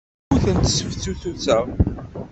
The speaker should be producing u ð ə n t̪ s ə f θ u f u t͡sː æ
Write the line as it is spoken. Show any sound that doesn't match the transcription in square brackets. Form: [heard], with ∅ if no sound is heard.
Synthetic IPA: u [θ] ə n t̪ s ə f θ u [θ] u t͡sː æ